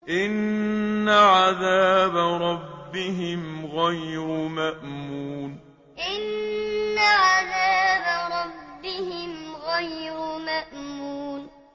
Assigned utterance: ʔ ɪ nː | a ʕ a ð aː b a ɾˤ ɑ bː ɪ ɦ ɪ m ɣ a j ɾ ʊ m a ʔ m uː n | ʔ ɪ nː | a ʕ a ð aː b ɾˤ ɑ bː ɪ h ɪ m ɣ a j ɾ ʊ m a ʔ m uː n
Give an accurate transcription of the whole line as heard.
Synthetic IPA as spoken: ʔ ɪ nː | a ʕ a ð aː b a ɾˤ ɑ bː ɪ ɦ ɪ m ɣ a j ɾ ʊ m a ʔ m uː n | ʔ ɪ nː | a ʕ a ð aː b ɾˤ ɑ bː ɪ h ɪ m ɣ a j ɾ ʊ m a ʔ m uː n